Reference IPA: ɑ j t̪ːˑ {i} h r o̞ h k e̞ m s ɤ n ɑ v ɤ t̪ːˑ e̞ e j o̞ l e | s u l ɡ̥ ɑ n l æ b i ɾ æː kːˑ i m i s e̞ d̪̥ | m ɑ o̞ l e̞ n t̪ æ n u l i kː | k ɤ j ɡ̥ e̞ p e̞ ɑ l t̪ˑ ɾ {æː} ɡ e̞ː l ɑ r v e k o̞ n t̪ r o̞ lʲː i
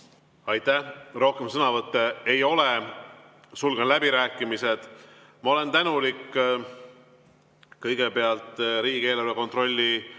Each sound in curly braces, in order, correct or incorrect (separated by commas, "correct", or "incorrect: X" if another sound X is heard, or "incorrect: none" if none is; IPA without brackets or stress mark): incorrect: æ, incorrect: iː